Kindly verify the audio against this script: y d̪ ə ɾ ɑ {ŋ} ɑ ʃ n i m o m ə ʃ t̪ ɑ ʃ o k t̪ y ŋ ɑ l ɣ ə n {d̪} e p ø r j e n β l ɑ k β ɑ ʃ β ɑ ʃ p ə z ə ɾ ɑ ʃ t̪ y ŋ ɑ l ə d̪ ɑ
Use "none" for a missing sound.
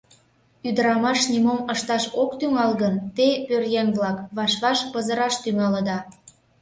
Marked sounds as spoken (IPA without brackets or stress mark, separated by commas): m, t̪